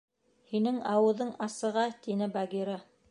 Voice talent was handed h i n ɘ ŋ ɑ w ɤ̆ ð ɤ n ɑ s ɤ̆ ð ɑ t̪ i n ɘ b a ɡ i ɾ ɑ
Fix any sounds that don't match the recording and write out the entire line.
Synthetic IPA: h i n ɘ ŋ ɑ w ɤ̆ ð ɤ ɴ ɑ s ɤ̆ ʁ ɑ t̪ i n ɘ b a ɡ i ɾ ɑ